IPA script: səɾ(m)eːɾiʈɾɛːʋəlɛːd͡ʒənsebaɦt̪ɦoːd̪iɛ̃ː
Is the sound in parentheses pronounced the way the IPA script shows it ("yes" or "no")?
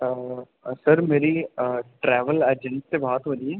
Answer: yes